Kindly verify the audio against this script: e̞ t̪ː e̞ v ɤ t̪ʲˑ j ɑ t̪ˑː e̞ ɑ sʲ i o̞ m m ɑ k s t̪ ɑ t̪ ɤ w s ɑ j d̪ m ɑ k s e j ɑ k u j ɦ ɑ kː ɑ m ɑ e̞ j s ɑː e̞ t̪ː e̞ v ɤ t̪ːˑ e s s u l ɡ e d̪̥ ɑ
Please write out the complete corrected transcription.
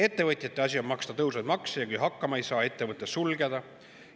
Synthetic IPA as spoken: e̞ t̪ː e̞ v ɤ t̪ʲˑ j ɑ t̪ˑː e̞ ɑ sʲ i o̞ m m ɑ k s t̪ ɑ t̪ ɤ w s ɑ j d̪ m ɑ k s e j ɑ k u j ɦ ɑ kː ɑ m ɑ e̞ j s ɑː e̞ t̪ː e̞ v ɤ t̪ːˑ e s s u l ɡ e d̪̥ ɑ